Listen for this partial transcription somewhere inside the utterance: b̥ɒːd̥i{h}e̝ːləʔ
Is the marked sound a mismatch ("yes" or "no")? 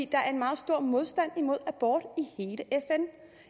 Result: no